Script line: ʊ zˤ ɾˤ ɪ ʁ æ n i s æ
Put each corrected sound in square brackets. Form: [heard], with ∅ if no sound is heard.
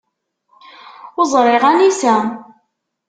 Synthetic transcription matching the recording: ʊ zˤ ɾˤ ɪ ʁ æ n i s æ